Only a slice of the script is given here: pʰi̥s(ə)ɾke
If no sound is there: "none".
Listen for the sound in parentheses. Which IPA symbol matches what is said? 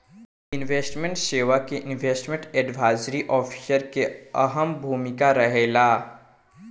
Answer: ə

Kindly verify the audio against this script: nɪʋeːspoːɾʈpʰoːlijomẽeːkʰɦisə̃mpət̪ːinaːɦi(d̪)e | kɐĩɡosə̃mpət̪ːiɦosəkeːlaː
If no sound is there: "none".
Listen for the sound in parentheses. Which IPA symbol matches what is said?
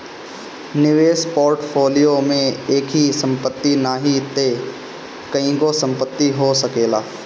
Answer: t̪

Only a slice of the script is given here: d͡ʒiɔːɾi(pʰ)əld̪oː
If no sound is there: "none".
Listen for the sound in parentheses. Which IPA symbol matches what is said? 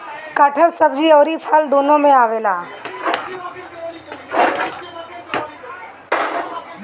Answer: pʰ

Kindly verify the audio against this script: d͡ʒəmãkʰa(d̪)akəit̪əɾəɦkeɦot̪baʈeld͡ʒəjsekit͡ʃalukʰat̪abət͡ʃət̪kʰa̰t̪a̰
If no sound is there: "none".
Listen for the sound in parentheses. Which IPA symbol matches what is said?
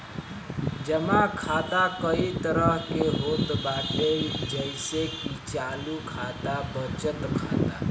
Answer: t̪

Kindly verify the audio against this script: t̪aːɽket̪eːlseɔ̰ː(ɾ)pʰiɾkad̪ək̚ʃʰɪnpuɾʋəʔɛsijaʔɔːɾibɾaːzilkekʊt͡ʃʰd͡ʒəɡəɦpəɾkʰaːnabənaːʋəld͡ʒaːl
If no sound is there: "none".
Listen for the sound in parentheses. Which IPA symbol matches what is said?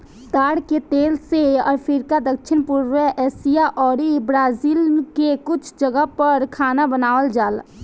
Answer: ɾ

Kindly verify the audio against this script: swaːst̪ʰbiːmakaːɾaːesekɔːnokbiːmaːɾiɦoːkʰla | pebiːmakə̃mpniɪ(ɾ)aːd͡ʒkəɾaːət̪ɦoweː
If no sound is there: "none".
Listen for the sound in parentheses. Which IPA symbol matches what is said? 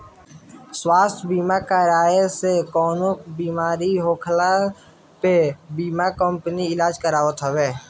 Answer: l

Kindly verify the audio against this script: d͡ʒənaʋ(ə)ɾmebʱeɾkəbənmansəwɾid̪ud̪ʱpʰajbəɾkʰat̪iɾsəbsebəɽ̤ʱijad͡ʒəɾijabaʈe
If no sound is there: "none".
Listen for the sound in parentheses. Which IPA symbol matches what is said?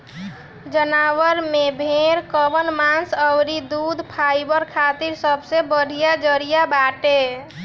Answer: ə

